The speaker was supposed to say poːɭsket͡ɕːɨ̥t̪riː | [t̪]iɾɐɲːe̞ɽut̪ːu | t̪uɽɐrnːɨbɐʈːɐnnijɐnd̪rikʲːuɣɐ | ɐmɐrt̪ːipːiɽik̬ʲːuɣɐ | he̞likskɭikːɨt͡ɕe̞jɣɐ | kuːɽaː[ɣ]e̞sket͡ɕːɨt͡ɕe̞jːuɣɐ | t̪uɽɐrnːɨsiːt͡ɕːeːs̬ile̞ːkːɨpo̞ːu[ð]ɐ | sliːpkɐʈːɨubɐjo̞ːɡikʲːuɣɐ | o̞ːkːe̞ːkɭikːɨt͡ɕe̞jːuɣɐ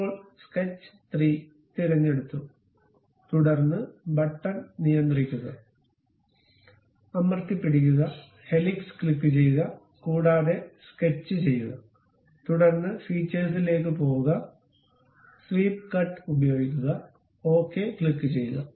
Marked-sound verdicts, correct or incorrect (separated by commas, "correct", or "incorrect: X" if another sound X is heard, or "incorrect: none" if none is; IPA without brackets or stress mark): correct, incorrect: ð, incorrect: ɣ